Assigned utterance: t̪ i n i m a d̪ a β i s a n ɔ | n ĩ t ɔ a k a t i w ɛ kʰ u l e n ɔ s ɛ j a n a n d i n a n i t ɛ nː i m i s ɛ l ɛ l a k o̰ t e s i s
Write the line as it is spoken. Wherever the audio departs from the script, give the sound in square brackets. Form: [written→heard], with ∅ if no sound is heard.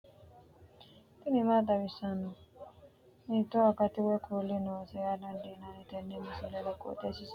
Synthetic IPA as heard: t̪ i n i m a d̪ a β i s a n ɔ | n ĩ t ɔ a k a t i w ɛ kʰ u l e n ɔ s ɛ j a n a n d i n a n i t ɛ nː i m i s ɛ l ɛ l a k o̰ t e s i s